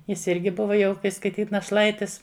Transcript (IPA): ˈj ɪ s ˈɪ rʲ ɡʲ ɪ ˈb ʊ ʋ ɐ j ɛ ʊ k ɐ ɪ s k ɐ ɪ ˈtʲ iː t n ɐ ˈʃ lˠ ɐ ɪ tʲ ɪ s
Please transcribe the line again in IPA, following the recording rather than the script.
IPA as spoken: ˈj ɪ s ˈɪ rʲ ɡʲ ɪ ˈb ʊ ʋ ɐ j ɛ ʊ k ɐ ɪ s k ɐ ɪ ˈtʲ iː t n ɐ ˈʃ lˠ ɐ ɪ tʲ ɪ s

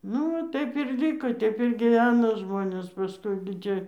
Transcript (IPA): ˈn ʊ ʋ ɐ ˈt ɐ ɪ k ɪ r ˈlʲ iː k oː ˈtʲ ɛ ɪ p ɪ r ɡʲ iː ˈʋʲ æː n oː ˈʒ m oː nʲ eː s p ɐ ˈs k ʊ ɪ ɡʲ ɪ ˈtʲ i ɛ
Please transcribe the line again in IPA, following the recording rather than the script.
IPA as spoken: ˈn ʊ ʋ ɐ ˈt ɐ ɪ p ɪ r ˈlʲ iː k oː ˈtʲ ɛ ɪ p ɪ r ɡʲ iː ˈʋʲ æː n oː ˈʒ m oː nʲ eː s p ɐ ˈs k ʊ ɪ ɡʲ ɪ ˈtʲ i ɛ

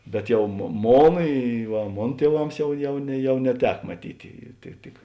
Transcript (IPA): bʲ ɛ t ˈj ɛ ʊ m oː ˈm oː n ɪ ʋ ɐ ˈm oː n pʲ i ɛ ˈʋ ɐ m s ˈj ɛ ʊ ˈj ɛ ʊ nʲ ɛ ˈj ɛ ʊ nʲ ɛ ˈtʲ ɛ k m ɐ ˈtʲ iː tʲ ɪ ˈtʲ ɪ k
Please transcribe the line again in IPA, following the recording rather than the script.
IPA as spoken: bʲ ɛ t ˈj ɛ ʊ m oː ˈm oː n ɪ ʋ ɐ ˈm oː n tʲ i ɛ ˈʋ ɐ m s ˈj ɛ ʊ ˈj ɛ ʊ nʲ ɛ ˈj ɛ ʊ nʲ ɛ ˈtʲ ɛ k m ɐ ˈtʲ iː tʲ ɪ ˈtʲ ɪ k

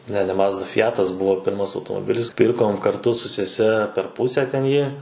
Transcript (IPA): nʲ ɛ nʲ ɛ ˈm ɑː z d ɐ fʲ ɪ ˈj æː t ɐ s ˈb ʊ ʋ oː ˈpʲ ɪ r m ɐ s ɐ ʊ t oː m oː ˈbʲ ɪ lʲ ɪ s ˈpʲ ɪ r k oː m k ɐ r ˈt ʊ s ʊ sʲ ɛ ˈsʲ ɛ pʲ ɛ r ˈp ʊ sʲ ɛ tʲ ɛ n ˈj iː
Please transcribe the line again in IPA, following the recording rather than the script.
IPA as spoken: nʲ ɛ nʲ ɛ ˈm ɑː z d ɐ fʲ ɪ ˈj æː t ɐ s ˈb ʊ ʋ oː ˈpʲ ɪ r m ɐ s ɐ ʊ t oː m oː ˈbʲ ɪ lʲ ɪ s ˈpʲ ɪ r k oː m k ɐ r ˈt ʊ s ʊ sʲ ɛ ˈsʲ ɛ pʲ ɛ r ˈp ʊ sʲ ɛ tʲ ɛ n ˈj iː

